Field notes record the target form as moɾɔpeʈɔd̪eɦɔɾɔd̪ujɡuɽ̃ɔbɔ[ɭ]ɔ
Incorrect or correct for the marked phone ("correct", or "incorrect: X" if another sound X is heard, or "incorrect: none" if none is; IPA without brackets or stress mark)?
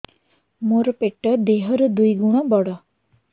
incorrect: ɽ